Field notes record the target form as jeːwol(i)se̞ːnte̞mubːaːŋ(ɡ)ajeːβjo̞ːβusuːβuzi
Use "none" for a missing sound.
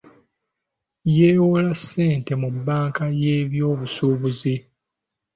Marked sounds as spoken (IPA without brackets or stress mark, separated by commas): a, k